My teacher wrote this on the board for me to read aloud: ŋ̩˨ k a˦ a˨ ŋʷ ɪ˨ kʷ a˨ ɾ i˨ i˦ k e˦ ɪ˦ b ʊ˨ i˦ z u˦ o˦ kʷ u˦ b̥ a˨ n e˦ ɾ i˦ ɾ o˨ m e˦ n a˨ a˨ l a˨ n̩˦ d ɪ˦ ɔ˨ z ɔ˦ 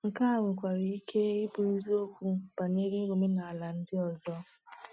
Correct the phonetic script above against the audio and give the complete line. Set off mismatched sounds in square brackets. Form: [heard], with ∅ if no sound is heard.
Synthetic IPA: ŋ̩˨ k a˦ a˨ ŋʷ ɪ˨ kʷ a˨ ɾ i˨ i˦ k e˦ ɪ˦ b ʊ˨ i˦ z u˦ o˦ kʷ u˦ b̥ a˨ n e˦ ɾ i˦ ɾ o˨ m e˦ n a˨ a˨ l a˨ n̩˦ d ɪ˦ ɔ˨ z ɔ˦